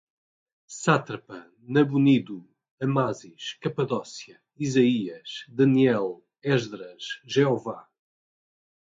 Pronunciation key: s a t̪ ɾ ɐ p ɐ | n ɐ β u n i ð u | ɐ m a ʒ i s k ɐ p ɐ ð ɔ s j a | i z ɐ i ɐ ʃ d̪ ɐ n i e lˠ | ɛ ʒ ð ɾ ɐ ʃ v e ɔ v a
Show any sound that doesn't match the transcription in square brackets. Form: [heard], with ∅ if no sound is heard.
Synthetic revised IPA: s a t̪ ɾ ɐ p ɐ | n ɐ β u n i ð u | ɐ m a [z] i [ʃ] k ɐ p ɐ ð ɔ s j [ɐ] | i z ɐ i ɐ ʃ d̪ ɐ n i [ɛ] lˠ | ɛ ʒ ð ɾ ɐ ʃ [ʒ] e ɔ v a